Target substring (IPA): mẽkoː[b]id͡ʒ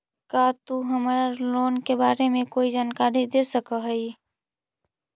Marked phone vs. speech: incorrect: none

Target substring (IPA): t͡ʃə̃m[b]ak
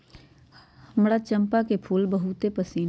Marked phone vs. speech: incorrect: p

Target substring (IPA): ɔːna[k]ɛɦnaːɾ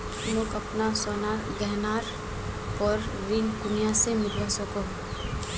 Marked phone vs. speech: incorrect: ɡ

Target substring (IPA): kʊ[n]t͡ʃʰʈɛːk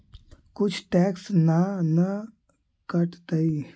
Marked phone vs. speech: incorrect: none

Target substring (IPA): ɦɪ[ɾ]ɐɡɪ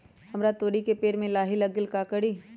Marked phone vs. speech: incorrect: l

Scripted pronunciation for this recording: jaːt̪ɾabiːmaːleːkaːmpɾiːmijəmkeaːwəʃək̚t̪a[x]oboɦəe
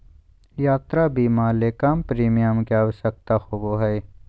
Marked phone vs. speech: correct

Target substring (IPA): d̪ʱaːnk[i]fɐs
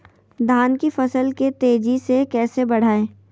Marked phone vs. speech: correct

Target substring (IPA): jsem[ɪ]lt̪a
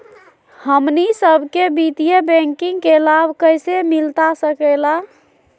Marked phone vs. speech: incorrect: i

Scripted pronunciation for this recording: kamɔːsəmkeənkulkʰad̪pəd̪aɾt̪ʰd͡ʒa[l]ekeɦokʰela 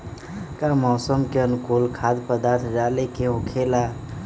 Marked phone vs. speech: correct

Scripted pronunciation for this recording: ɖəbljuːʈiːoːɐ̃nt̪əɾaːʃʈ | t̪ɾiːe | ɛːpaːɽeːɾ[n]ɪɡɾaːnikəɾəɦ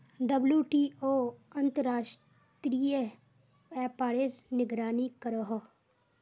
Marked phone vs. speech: correct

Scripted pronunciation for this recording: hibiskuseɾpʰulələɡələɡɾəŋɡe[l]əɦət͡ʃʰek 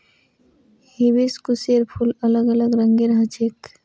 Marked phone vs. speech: incorrect: ɾ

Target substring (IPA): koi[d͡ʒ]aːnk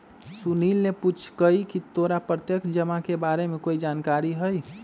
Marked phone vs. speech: correct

